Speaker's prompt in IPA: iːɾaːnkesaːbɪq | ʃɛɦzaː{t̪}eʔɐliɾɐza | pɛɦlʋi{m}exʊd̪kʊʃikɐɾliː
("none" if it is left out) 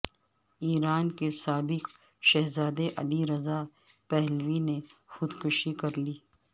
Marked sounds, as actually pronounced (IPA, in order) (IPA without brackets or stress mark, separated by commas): d̪, n